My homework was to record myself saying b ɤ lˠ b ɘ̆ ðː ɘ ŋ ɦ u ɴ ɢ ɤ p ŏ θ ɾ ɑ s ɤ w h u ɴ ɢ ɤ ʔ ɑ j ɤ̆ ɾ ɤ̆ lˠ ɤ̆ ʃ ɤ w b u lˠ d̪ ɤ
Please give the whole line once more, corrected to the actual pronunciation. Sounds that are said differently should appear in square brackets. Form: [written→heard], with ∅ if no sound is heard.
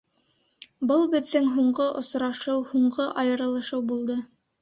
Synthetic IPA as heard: b ɤ lˠ b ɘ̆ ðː ɘ ŋ ɦ u ɴ ɢ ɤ [p→ʔ] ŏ [θ→s] ɾ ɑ [s→ʃ] ɤ w h u ɴ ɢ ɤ ʔ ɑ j ɤ̆ ɾ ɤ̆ lˠ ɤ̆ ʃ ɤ w b u lˠ d̪ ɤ